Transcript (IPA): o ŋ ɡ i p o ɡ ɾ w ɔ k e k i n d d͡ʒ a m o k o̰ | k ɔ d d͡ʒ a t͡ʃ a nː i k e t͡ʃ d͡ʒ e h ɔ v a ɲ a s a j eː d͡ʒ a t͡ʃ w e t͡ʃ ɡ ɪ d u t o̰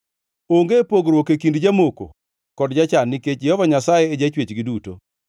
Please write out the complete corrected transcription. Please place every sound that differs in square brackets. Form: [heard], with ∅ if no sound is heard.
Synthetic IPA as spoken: o ŋ ɡ [e] p o ɡ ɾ w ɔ k e k i n d d͡ʒ a m o k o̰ | k ɔ d d͡ʒ a t͡ʃ a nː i k e t͡ʃ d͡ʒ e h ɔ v a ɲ a s a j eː d͡ʒ a t͡ʃ w e t͡ʃ ɡ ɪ d u t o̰